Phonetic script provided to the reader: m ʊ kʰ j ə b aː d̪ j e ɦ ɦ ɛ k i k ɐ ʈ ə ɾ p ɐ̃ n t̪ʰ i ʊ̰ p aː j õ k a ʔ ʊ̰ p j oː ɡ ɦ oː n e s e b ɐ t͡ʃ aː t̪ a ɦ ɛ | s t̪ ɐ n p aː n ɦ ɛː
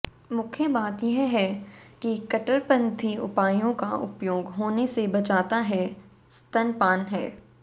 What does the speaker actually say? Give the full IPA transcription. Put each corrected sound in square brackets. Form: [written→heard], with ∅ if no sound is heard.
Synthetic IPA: m ʊ kʰ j ə b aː [d̪→t̪] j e ɦ ɦ ɛ k i k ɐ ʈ ə ɾ p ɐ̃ n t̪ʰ i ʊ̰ p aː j õ k a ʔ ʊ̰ p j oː ɡ ɦ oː n e s e b ɐ t͡ʃ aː t̪ a ɦ ɛ | s t̪ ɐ n p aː n ɦ ɛː